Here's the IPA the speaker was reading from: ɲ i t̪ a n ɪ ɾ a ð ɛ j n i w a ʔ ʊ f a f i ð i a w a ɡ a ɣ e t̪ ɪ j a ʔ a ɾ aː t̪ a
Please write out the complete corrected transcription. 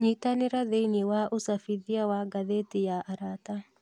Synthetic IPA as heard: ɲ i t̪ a n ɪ ɾ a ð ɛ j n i w a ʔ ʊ s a f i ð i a w a ɡ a ð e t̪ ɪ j a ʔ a ɾ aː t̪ a